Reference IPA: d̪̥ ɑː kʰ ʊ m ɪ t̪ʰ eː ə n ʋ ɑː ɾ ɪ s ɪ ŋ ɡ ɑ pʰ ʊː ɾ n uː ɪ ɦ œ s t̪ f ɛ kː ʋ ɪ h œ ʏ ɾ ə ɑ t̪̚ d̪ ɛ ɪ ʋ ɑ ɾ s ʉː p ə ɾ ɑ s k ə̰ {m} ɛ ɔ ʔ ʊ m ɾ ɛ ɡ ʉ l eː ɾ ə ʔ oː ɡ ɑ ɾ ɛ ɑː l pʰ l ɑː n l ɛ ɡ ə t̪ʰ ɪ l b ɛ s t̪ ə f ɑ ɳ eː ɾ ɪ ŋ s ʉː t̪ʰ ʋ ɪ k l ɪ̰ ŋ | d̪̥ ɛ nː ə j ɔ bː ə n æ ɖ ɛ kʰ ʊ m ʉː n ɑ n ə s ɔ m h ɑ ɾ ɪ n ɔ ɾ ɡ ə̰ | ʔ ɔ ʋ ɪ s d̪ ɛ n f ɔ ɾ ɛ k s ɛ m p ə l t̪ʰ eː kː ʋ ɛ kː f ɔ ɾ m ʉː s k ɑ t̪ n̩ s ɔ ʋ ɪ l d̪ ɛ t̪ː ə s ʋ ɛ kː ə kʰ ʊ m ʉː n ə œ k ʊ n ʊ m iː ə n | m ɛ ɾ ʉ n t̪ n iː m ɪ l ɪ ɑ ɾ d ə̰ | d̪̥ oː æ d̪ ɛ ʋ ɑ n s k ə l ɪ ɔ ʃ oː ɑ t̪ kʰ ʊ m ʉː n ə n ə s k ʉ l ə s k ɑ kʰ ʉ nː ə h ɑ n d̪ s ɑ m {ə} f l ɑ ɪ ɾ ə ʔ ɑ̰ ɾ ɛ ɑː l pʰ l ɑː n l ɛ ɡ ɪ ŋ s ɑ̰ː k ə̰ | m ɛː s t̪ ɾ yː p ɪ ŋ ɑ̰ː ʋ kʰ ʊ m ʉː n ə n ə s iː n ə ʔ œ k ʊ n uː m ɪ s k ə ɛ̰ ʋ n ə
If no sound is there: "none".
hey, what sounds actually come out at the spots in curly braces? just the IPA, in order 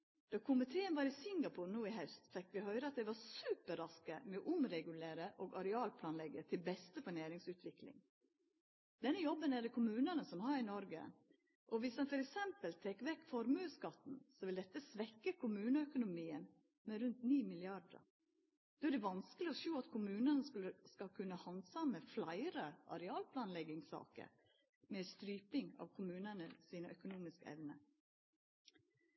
m, ə

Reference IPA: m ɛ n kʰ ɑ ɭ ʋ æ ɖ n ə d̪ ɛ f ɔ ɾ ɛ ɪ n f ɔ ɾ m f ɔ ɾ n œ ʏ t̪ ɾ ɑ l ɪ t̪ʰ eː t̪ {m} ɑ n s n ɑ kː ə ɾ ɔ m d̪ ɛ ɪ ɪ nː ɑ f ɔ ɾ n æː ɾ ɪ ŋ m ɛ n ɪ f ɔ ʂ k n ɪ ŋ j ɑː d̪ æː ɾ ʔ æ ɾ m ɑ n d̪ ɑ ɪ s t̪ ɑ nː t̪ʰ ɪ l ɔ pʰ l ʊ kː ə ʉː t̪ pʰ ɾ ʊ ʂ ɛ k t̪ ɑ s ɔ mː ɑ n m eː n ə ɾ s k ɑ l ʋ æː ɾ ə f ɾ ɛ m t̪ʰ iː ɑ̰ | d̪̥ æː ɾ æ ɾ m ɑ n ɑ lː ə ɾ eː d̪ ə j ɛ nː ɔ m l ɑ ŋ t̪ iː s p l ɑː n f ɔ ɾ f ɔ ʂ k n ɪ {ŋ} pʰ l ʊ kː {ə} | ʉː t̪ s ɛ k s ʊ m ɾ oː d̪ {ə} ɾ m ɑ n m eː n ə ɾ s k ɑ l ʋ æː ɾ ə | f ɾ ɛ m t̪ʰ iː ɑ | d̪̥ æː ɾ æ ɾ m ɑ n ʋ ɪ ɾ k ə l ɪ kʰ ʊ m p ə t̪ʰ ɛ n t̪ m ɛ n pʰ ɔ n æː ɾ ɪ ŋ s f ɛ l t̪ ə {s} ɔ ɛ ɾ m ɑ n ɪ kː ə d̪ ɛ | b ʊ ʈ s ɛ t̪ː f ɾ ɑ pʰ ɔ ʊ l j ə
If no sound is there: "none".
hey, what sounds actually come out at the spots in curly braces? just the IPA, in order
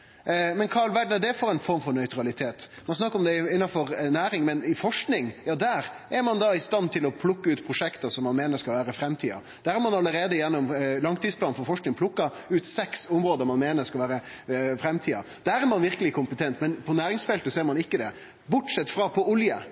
m, ŋ, ɑ, ə, s

